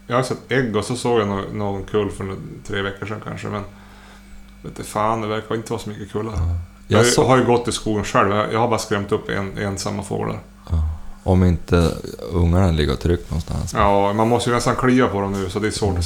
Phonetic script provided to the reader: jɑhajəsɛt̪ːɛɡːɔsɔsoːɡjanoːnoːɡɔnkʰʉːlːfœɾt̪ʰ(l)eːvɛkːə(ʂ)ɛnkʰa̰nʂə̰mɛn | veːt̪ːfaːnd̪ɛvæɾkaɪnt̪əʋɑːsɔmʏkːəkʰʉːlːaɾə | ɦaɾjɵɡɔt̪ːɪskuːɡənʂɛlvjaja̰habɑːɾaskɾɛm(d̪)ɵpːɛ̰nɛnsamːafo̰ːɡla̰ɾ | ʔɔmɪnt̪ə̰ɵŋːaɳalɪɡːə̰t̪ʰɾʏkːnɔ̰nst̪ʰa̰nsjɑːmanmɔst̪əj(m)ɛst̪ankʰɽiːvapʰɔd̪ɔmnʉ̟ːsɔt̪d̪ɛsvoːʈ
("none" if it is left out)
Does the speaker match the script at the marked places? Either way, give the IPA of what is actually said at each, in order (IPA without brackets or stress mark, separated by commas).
ɾ, ʂ, t̪, n